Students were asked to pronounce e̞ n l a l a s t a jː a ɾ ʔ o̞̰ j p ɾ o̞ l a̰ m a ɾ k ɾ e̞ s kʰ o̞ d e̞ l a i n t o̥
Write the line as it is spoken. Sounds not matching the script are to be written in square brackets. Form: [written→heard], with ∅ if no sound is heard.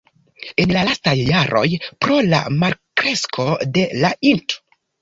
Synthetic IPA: e̞ n l a l a s t a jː a ɾ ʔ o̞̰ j p ɾ o̞ l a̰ m a ɾ k ɾ e̞ s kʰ o̞ d e̞ l a i n t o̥